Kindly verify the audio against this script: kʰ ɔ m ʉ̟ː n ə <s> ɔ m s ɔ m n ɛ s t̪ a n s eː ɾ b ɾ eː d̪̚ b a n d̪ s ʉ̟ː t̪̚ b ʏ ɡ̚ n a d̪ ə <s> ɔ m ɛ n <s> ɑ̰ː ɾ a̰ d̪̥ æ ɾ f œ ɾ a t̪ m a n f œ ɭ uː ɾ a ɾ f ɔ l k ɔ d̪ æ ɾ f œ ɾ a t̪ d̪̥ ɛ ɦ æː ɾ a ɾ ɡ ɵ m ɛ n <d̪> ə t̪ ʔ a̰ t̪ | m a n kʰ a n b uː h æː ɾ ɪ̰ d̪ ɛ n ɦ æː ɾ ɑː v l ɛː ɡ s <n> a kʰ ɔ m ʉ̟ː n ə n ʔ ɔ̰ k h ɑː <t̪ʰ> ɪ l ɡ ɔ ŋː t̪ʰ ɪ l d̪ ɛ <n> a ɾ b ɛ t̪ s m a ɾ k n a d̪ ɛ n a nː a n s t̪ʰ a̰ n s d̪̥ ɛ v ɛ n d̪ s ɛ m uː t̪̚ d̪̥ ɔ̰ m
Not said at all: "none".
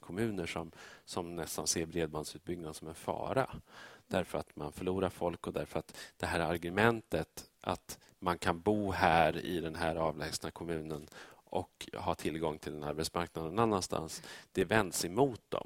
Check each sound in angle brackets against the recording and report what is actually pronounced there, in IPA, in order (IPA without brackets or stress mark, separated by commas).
ʂ, s, f, t̪, n, t̪ʰ, n